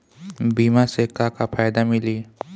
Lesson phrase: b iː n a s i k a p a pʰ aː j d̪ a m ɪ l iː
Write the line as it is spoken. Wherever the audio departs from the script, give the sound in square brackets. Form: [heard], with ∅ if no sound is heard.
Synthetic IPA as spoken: b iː [m] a s [e] k a [k] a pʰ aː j d̪ a m ɪ l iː